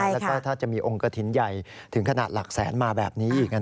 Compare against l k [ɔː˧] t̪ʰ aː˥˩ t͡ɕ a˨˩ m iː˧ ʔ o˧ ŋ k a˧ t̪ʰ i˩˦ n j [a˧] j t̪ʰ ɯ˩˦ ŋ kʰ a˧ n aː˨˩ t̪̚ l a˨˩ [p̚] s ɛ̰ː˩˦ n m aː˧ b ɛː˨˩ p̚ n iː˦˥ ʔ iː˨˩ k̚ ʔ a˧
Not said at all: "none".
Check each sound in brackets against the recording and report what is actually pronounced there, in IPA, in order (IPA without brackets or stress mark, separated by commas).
ɔː˥˩, a˨˩, k̚